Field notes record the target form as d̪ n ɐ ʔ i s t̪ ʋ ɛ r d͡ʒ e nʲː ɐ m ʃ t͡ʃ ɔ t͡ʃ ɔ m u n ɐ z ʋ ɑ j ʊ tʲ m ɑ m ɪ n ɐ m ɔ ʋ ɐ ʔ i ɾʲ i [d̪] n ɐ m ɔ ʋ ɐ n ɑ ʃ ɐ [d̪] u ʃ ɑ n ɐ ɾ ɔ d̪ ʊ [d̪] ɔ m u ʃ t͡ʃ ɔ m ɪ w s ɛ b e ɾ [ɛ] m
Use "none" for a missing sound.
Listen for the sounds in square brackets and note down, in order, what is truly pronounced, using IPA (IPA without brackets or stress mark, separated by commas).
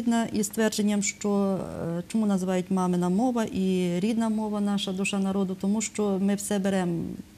d̪, d̪, t̪, ɛ